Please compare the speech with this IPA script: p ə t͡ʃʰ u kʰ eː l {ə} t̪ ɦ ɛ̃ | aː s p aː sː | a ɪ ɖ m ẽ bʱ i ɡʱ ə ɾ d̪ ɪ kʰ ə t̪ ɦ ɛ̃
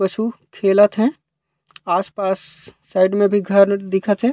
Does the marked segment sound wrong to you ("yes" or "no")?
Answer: no